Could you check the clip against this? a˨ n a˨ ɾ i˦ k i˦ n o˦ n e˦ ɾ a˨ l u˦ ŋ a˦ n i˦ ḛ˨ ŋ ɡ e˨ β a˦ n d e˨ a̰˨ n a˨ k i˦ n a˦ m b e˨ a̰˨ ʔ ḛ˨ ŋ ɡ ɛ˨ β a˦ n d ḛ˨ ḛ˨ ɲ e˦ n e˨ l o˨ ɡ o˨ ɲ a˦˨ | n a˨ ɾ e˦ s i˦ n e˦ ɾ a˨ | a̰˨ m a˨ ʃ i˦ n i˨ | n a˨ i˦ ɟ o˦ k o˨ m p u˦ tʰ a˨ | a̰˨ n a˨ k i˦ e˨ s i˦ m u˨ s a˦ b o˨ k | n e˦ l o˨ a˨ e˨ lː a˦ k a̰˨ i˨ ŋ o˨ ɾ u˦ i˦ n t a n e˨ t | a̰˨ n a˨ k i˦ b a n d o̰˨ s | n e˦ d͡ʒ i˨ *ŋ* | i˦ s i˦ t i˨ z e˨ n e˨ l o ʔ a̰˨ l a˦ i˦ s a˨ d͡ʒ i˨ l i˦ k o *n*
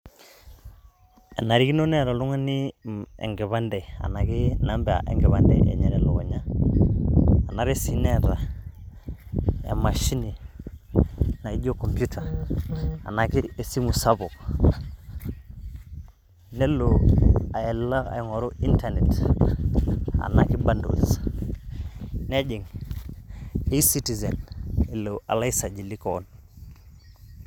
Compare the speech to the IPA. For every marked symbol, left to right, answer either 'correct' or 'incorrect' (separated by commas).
correct, correct